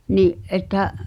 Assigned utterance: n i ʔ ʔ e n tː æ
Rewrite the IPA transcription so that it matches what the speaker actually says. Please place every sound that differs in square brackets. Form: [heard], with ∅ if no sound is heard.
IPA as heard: n i ʔ ʔ e [∅] tː æ